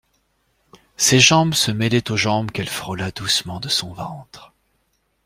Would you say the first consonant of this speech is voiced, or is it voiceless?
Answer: voiceless